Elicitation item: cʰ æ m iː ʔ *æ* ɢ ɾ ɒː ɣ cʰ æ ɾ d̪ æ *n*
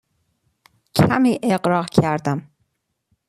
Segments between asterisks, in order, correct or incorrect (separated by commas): incorrect, incorrect